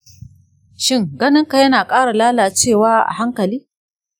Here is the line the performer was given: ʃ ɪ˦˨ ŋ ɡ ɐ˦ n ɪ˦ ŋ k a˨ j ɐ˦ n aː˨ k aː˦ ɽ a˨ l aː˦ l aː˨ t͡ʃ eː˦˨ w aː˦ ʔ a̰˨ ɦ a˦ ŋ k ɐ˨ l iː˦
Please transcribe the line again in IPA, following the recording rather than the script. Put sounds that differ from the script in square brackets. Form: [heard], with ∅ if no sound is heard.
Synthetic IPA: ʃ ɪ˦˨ ŋ ɡ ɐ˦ n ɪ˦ ŋ k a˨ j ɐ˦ n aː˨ [kʼ] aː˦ ɽ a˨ l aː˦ l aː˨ t͡ʃ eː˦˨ w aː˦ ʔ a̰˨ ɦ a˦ ŋ k ɐ˨ l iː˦

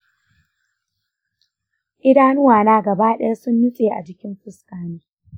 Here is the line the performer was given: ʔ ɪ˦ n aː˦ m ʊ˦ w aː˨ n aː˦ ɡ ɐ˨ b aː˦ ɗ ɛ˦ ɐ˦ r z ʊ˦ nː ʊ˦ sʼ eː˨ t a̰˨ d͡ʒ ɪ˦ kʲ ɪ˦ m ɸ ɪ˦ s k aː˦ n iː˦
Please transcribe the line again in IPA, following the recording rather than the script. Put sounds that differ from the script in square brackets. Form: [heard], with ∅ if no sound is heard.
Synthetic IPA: ʔ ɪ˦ [d] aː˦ [n] ʊ˦ w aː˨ n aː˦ ɡ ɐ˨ b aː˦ ɗ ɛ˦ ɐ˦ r [s] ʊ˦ nː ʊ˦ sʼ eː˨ [ʔ] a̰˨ d͡ʒ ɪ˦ kʲ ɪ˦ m ɸ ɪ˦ s k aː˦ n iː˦

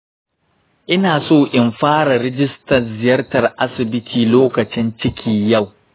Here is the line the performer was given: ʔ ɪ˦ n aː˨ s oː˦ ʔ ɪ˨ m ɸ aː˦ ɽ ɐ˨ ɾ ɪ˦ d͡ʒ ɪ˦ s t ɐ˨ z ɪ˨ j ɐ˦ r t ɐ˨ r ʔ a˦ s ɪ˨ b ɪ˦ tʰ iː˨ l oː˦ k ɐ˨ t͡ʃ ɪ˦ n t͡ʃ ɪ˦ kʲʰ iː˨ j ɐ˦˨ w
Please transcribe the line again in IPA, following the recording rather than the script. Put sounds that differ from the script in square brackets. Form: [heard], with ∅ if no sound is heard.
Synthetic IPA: ʔ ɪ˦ n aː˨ s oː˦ ʔ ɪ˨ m ɸ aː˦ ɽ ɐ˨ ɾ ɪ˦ d͡ʒ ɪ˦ s t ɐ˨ z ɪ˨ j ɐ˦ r t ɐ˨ r ʔ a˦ s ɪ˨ b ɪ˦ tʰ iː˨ l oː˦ k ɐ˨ t͡ʃ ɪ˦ n t͡ʃ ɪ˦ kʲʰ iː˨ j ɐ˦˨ w

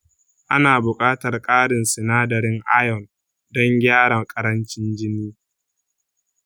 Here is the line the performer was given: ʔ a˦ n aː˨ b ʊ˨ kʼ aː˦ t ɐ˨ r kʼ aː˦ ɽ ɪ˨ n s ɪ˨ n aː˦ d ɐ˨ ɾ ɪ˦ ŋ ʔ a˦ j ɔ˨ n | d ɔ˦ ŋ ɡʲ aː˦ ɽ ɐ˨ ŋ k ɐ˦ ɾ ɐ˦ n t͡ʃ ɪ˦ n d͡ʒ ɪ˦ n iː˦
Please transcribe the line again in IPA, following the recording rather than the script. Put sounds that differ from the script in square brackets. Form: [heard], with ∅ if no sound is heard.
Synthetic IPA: ʔ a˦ n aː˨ b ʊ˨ kʼ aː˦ t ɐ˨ r kʼ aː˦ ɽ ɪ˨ n s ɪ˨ n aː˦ d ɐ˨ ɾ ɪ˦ ŋ ʔ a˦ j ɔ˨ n | d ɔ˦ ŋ ɡʲ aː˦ ɽ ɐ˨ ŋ [kʼ] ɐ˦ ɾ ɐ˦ n t͡ʃ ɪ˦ n d͡ʒ ɪ˦ n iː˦

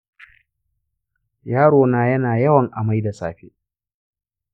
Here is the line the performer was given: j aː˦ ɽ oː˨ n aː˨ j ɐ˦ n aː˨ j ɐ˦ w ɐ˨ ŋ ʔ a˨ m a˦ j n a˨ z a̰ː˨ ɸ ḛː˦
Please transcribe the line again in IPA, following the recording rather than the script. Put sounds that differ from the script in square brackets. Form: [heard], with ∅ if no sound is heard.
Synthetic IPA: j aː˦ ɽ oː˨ n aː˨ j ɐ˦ n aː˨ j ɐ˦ w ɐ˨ ŋ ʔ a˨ m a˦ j [d] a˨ [s] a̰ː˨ ɸ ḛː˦

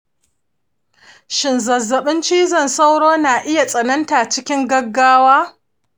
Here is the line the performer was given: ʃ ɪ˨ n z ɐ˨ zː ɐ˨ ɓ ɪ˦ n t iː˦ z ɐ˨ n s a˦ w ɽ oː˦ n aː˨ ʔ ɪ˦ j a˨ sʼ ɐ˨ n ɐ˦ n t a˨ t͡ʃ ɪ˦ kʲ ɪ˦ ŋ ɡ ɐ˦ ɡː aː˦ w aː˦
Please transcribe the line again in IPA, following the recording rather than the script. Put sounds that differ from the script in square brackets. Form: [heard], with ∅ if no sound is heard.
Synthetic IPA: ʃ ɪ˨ n z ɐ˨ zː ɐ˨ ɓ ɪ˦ n [t͡ʃ] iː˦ z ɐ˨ n s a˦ w ɽ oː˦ n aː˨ ʔ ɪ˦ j a˨ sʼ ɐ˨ n ɐ˦ n t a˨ t͡ʃ ɪ˦ kʲ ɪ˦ ŋ ɡ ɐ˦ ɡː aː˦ w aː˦

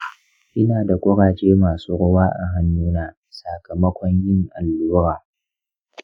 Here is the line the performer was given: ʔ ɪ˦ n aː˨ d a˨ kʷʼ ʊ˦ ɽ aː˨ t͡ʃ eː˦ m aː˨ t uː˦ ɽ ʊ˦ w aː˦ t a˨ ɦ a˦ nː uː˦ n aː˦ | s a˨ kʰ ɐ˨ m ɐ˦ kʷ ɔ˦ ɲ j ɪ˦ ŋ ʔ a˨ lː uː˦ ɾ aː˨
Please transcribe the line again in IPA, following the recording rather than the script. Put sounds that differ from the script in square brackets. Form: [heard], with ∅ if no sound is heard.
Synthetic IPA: ʔ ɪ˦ n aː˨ d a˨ kʷʼ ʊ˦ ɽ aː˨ t͡ʃ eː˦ m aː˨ [s] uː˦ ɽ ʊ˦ w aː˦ [ʔ] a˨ ɦ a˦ nː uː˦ n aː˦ | s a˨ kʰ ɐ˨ m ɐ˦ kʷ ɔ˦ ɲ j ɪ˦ ŋ ʔ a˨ lː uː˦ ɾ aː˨

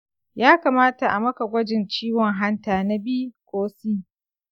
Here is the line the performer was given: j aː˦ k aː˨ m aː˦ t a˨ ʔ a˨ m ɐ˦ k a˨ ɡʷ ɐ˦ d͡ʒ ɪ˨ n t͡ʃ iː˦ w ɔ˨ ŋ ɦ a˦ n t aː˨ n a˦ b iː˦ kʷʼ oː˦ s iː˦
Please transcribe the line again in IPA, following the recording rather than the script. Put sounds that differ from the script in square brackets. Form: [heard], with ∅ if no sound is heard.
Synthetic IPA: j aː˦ k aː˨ m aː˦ t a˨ ʔ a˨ m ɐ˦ k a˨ ɡʷ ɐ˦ d͡ʒ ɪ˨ n t͡ʃ iː˦ w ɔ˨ ŋ ɦ a˦ n t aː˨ n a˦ b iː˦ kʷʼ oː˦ s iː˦

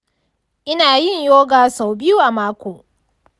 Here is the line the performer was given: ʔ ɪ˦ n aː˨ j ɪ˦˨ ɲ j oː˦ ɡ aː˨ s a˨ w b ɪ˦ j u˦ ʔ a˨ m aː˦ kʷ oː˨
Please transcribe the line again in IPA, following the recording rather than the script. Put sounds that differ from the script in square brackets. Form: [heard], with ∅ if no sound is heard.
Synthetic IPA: ʔ ɪ˦ n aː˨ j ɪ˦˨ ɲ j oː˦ ɡ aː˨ s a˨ w b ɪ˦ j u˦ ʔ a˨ m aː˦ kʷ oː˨

